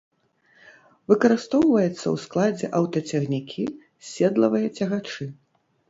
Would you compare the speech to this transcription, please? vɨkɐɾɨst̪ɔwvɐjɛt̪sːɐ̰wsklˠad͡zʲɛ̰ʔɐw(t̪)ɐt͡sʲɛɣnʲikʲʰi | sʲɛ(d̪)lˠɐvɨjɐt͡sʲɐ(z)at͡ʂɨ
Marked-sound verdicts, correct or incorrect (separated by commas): correct, correct, incorrect